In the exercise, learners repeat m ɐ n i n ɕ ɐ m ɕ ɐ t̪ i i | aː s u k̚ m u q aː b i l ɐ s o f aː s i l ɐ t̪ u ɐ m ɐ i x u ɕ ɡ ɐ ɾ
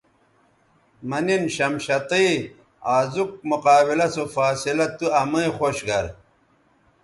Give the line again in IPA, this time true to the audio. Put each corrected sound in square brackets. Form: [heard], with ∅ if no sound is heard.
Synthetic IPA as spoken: m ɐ n i n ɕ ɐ m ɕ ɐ t̪ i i | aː [z] u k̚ m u q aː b i l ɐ s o f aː s i l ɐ t̪ u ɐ m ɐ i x [o] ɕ ɡ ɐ ɾ

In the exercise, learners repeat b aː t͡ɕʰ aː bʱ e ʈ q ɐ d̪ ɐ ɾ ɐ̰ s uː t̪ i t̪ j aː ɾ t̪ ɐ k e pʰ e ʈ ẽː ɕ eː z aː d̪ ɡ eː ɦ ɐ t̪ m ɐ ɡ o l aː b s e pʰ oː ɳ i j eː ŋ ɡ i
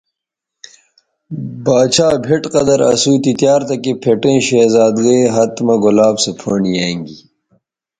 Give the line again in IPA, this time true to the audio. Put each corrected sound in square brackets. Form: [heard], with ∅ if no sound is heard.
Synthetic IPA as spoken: b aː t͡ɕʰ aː bʱ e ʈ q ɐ d̪ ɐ ɾ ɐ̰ s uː t̪ i t̪ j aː ɾ t̪ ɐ k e pʰ e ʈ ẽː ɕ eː z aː d̪ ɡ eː ɦ ɐ t̪ m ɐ ɡ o l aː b s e pʰ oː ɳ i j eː ŋ ɡ i

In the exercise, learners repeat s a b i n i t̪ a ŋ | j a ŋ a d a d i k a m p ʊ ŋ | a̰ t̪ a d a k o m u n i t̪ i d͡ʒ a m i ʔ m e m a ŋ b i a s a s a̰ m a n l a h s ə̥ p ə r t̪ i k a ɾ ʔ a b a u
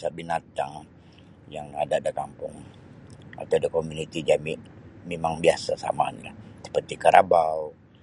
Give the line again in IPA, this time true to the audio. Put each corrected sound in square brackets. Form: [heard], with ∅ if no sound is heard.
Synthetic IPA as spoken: s a b i n [a] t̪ a ŋ | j a ŋ a d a d [a] k a m p ʊ ŋ | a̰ t̪ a d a k o m u n i t̪ i d͡ʒ a m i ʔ m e m a ŋ b i a s a s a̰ m a n l a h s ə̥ p ə r t̪ i k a ɾ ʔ a b a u

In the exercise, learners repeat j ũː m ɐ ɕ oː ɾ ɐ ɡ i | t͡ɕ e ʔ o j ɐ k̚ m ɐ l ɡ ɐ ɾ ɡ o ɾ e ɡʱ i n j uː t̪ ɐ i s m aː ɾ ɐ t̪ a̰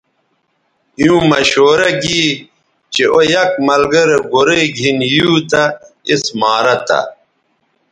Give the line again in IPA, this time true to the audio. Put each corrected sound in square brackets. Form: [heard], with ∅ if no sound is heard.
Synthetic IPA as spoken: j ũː m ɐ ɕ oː ɾ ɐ ɡ i | t͡ɕ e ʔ o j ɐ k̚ m ɐ l ɡ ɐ ɾ ɡ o ɾ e ɡʱ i n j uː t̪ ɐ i s m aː ɾ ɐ t̪ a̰

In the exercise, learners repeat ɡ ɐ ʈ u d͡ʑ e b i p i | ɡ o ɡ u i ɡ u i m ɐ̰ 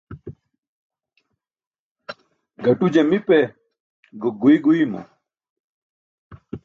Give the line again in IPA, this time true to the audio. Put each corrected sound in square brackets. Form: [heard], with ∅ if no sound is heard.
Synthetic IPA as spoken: ɡ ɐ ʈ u d͡ʑ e [m] i p [e] | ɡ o ɡ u i ɡ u i m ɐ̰

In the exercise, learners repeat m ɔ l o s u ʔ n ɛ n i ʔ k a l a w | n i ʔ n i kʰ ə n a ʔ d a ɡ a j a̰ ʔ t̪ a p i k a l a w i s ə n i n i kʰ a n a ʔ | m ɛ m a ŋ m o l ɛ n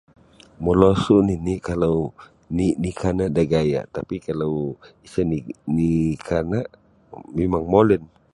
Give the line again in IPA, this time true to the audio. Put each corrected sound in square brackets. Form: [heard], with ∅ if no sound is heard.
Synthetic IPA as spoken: m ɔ l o s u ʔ n [i] n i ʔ k a l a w | n i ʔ n i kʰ [a] n a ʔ d a ɡ a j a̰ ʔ t̪ a p i k a l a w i s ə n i n i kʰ a n a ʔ | m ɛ m a ŋ m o l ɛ n

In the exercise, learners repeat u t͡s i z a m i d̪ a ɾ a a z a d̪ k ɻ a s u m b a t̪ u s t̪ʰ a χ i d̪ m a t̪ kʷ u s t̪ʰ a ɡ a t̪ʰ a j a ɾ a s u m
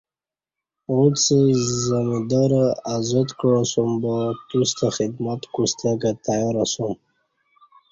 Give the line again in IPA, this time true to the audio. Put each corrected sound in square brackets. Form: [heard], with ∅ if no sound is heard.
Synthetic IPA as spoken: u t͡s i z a m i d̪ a ɾ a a z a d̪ k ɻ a s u m b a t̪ u s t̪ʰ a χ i d̪ m a t̪ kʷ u s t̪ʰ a ɡ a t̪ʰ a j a ɾ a s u m

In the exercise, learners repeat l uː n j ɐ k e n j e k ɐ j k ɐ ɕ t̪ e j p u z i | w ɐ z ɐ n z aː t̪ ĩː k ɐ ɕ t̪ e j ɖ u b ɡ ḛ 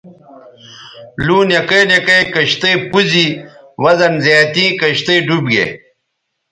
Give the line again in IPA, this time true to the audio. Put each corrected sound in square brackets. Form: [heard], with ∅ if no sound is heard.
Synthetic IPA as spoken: l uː n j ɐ k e n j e k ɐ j k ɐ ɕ t̪ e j p u z i | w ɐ z ɐ n z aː t̪ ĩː k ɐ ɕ t̪ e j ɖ u b ɡ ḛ

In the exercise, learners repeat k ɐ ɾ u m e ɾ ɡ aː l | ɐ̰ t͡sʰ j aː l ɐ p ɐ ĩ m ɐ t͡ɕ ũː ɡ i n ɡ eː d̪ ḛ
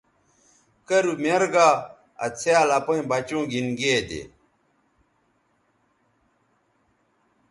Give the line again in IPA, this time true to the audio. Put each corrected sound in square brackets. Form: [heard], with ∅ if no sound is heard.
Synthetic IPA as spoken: k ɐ ɾ u m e ɾ ɡ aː [∅] | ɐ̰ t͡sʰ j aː l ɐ p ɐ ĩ [b] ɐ t͡ɕ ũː ɡ i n ɡ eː d̪ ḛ

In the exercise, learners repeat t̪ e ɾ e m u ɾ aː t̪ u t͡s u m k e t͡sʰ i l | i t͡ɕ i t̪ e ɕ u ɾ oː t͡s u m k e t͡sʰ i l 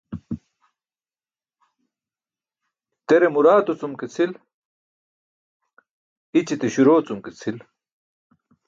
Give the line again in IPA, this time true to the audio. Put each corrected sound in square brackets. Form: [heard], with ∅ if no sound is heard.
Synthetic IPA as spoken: t̪ e ɾ e m u ɾ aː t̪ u t͡s u m k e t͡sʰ i l | i t͡ɕ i t̪ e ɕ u ɾ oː t͡s u m k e t͡sʰ i l

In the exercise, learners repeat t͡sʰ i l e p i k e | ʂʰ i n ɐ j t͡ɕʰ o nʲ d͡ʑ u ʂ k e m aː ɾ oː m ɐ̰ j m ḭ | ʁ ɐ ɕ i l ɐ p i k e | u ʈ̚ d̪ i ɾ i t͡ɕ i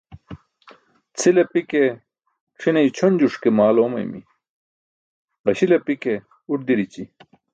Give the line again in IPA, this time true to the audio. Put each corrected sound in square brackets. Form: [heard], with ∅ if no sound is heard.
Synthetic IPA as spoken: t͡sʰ i l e p i k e | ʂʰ i n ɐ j t͡ɕʰ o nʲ d͡ʑ u ʂ k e m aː [l] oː m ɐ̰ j m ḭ | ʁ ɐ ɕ i l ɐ p i k e | u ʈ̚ d̪ i ɾ i t͡ɕ i

